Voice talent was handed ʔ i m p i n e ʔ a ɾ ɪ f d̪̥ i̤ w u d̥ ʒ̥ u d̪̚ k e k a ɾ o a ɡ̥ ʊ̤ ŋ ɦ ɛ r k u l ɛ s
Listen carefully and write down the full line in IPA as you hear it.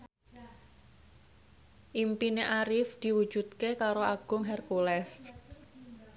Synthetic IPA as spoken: ʔ i m p i n e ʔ a ɾ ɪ f d̪̥ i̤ w u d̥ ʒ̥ u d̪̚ k e k a ɾ o a ɡ̥ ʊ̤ ŋ ɦ ɛ r k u l ɛ s